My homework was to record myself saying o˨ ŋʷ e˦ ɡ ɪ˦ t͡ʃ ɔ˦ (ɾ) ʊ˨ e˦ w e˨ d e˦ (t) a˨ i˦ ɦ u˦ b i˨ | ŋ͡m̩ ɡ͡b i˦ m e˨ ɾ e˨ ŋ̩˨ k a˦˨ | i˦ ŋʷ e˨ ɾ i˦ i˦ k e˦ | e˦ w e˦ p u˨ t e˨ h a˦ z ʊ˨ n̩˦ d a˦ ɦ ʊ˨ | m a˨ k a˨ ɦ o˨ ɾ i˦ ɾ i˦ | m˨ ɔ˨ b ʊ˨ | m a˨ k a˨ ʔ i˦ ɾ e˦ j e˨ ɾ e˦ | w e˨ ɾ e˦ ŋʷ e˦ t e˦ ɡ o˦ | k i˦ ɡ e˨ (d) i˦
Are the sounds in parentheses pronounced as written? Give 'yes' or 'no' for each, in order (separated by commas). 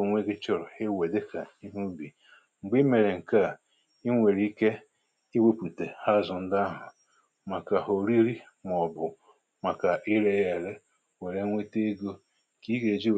yes, no, no